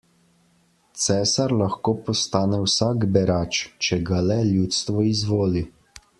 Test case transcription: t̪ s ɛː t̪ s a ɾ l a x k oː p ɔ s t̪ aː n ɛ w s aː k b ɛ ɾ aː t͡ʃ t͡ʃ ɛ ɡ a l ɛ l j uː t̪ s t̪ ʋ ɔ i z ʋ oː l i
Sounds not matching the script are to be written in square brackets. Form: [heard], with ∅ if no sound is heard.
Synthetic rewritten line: t̪ s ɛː [∅] s a ɾ l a x k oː p ɔ s t̪ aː n ɛ w s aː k b ɛ ɾ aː t͡ʃ t͡ʃ ɛ ɡ a l ɛ l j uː t̪ s t̪ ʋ ɔ i z ʋ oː l i

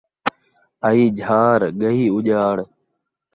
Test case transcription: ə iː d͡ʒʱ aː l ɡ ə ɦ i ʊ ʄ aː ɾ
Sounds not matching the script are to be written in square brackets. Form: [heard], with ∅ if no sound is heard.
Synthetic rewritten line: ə iː d͡ʒʱ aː [ɾ] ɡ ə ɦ [iː] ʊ ʄ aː [ɽ]

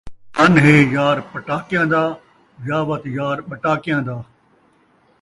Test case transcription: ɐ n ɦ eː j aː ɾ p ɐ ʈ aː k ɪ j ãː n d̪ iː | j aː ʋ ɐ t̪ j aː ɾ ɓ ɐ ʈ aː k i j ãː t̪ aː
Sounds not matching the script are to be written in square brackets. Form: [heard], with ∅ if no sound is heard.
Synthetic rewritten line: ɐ n ɦ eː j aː ɾ p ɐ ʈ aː k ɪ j ãː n d̪ [aː] | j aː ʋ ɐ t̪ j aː ɾ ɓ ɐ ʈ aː k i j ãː [d̪] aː

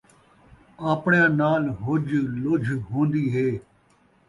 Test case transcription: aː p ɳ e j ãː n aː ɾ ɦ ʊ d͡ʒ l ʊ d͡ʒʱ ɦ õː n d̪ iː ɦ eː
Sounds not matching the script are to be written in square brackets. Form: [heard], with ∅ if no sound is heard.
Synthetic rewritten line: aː p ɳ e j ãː n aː [l] ɦ ʊ d͡ʒ l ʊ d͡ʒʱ ɦ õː n d̪ iː ɦ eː

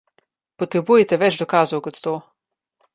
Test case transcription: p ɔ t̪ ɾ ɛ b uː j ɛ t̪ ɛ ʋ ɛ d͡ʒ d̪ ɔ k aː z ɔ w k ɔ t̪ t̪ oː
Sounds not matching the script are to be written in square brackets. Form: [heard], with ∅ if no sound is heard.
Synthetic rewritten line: p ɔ t̪ ɾ ɛ b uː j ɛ t̪ ɛ ʋ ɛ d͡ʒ d̪ ɔ k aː z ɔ w k ɔ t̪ t̪ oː

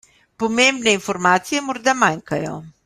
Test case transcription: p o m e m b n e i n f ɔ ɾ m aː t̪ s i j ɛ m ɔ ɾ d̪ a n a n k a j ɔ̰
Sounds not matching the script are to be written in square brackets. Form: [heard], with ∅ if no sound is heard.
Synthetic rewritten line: p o m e m b n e i n f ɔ ɾ m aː t̪ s i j ɛ m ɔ ɾ d̪ a [m] a [ŋ] k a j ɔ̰

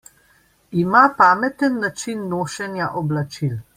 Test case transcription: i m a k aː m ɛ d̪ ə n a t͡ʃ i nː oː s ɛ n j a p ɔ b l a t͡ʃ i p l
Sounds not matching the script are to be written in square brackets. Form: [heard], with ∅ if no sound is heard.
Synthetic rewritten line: i m a [p] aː m ɛ [t̪] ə [nː] a t͡ʃ i nː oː [ʃ] ɛ n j a [ʔ] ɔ b l a t͡ʃ i [∅] l

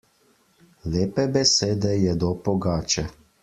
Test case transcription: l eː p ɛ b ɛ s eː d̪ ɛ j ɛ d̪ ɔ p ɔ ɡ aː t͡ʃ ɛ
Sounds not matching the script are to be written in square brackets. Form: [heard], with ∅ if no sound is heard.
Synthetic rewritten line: l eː p ɛ b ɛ s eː d̪ ɛ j ɛ d̪ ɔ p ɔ ɡ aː t͡ʃ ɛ

